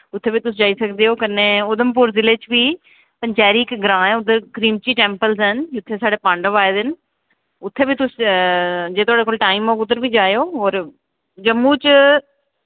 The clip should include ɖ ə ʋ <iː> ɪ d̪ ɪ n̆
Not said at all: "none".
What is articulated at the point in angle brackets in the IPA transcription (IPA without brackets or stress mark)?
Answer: aː